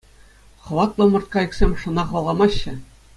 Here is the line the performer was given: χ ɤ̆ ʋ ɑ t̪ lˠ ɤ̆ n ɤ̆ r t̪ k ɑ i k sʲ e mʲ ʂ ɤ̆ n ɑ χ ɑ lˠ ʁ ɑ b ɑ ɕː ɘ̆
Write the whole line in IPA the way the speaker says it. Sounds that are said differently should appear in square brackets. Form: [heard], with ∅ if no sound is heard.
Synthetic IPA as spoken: χ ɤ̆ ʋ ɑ t̪ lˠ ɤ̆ [m] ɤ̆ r t̪ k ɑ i k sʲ e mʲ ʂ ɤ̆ n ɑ χ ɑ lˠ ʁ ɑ [m] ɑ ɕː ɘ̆